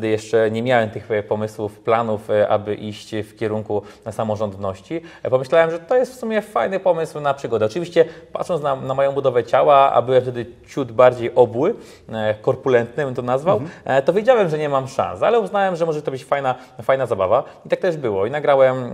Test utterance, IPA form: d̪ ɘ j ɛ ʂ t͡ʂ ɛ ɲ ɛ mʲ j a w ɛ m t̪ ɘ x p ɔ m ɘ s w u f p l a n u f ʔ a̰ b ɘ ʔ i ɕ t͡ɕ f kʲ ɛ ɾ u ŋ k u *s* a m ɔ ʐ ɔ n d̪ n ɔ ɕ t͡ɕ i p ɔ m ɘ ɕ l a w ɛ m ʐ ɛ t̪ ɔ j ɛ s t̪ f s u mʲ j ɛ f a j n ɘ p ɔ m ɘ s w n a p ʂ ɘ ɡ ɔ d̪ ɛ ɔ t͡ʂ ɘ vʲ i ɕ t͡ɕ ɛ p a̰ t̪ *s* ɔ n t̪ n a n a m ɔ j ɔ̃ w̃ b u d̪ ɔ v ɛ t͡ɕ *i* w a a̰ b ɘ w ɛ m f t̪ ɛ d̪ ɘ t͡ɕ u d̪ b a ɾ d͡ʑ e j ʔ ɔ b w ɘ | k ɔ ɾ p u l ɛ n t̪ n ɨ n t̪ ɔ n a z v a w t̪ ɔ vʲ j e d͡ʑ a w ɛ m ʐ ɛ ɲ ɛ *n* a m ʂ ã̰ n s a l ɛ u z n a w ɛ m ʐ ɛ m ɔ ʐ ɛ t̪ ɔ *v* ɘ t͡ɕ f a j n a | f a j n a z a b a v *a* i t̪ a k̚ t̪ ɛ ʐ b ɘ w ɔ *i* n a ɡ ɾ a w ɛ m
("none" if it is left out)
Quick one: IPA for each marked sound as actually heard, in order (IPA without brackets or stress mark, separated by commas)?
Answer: s, ʂ, a, m, b, a, i